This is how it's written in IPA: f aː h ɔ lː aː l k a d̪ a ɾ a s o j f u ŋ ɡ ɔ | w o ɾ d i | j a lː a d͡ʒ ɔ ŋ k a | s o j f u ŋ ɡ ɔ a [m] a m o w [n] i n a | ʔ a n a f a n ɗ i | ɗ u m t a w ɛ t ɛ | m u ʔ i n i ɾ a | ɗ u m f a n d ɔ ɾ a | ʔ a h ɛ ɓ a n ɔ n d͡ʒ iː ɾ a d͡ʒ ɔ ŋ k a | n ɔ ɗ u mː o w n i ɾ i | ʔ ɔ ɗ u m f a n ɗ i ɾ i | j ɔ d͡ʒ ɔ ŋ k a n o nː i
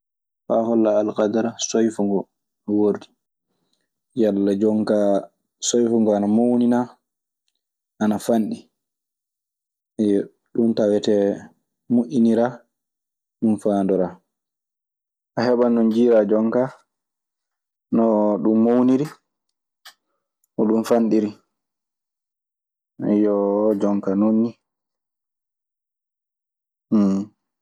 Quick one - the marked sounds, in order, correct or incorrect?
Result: incorrect, correct

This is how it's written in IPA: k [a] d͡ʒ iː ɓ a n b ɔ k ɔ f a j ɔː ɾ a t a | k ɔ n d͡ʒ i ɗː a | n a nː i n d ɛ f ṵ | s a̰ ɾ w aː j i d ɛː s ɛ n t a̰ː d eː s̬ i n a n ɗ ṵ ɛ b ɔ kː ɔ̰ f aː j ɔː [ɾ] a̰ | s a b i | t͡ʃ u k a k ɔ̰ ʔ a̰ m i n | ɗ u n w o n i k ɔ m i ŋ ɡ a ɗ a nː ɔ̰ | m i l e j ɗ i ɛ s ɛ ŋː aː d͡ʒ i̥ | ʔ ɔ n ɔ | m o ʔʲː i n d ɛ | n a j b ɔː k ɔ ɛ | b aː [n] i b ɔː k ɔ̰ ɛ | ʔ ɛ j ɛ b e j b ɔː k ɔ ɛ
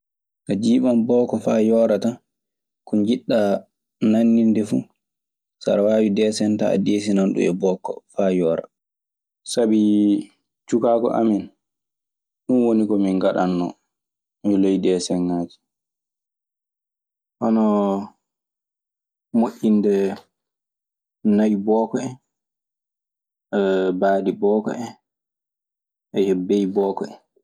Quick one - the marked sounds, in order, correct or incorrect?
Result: correct, correct, incorrect

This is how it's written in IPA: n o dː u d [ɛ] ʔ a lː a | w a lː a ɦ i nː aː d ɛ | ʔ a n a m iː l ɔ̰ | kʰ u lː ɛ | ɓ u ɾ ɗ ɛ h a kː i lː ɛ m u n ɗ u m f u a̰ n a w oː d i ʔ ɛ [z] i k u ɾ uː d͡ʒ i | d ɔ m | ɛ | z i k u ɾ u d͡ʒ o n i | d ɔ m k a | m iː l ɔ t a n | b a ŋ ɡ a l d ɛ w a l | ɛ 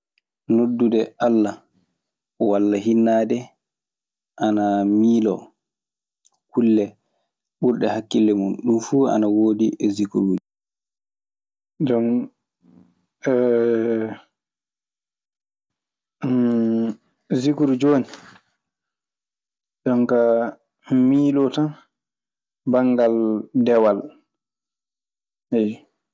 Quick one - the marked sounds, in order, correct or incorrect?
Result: correct, correct

